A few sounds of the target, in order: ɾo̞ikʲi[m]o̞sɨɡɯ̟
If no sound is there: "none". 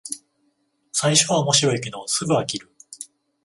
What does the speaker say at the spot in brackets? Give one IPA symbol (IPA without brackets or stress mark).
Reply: n